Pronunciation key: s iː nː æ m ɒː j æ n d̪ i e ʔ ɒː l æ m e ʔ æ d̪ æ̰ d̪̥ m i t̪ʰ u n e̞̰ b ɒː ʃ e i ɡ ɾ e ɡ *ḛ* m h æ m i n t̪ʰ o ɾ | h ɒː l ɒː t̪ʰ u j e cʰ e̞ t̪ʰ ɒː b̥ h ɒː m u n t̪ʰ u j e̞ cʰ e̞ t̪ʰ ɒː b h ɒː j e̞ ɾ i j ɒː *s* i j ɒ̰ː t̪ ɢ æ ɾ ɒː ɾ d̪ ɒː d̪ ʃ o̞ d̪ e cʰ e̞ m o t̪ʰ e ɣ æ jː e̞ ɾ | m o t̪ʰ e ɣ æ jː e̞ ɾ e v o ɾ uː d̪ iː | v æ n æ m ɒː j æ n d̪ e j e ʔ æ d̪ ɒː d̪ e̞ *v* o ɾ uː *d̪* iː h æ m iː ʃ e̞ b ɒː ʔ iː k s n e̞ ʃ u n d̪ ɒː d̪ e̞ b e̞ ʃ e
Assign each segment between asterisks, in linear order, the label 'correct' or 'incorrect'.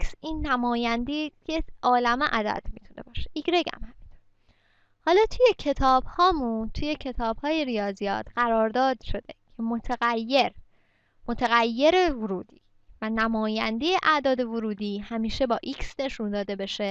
incorrect, incorrect, correct, correct

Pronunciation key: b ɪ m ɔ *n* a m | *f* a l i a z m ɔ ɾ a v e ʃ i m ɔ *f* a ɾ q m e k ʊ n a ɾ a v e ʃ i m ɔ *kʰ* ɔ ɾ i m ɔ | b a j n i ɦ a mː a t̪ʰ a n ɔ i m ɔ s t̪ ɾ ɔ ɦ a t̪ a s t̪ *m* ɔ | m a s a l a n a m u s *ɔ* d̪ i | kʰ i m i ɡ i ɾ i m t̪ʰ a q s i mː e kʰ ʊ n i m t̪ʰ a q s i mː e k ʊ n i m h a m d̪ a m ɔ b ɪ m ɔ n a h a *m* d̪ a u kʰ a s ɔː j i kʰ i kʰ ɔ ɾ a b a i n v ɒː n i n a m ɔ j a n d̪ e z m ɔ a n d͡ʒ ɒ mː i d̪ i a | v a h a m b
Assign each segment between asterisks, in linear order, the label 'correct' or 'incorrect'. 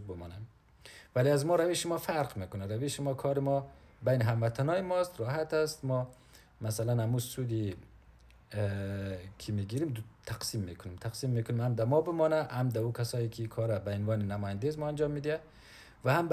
correct, incorrect, correct, correct, correct, incorrect, correct

